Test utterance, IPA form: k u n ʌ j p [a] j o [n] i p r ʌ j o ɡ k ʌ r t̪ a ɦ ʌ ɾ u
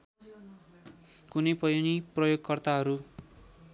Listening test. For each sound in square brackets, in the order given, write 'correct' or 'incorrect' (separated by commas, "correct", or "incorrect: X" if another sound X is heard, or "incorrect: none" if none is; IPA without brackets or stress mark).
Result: incorrect: ʌ, correct